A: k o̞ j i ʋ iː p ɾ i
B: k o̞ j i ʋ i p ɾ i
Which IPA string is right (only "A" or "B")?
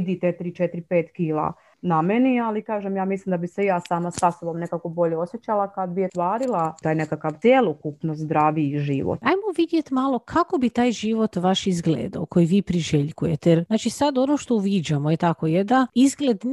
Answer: A